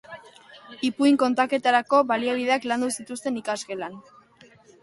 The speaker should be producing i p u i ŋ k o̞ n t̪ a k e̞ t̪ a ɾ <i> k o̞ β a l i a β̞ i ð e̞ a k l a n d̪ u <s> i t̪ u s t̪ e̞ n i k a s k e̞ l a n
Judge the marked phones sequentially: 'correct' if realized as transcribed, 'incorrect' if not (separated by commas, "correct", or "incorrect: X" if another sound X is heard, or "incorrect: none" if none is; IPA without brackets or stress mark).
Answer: incorrect: a, correct